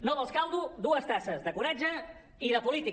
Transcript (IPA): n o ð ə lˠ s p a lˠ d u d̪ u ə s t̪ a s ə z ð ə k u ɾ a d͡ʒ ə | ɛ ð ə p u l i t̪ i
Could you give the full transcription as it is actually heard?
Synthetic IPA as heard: n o ð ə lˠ s k a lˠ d u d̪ u ə s t̪ a s ə z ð ə k u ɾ a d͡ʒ ə | i ð ə p u l i t̪ i